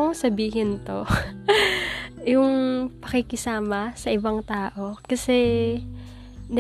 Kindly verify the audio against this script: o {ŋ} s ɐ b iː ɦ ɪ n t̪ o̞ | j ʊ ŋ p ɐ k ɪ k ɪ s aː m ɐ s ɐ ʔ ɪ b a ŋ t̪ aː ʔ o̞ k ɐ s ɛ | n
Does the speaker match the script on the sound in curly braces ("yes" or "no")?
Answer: yes